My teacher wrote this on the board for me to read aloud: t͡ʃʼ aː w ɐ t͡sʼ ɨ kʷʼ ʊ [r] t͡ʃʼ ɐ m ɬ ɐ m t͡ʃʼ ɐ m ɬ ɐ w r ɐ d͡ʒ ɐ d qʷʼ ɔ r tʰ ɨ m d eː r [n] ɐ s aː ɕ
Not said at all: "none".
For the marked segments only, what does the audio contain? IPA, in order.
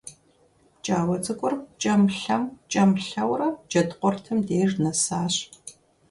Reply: r, n

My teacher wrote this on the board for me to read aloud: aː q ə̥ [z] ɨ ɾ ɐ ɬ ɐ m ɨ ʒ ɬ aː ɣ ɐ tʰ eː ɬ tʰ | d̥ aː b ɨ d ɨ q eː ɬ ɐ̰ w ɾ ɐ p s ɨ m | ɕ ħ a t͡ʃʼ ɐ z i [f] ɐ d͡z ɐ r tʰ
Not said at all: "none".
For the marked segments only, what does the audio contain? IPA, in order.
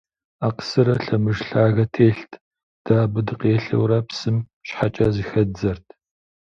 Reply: s, x

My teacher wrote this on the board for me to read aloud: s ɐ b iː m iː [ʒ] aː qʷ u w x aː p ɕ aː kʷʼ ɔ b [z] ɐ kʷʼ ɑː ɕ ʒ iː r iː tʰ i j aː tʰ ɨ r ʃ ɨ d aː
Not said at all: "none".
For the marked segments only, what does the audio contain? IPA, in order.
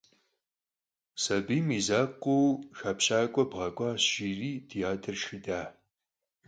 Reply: z, ʁ

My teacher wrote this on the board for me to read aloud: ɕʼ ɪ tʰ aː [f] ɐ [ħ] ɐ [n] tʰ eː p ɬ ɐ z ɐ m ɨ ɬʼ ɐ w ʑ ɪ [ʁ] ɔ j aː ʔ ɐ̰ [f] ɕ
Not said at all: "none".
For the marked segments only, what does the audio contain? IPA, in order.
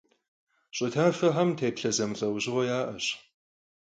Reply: f, ħ, m, ʁ, none

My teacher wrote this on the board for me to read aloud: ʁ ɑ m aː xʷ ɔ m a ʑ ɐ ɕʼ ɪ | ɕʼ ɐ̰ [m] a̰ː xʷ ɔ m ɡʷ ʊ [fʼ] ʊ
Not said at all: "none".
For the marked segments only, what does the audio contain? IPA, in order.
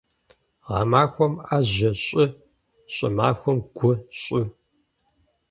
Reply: m, ɕʼ

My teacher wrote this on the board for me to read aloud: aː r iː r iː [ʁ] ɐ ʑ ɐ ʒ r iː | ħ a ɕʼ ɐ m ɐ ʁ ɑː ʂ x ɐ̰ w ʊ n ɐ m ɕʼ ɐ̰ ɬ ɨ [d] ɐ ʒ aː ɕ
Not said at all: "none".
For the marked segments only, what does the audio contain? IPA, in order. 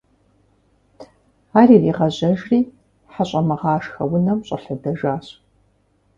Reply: ʁ, d

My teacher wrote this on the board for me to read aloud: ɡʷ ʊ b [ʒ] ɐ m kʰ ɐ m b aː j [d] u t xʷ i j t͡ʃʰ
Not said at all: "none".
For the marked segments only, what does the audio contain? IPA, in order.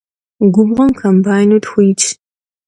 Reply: ʁ, n

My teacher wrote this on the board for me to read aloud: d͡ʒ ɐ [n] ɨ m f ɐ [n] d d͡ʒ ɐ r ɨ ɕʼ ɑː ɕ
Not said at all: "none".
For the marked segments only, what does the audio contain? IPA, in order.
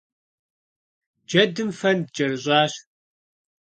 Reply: d, n

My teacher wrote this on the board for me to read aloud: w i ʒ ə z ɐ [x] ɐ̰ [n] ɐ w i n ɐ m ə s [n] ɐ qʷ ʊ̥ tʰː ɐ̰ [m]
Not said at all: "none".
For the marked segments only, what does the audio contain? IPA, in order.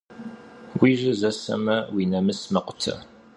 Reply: s, m, m, none

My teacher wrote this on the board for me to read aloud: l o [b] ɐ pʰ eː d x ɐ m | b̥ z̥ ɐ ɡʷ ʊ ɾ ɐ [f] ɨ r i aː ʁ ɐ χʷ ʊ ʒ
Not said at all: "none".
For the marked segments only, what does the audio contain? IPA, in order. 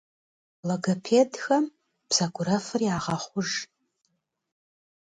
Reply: ɡ, f

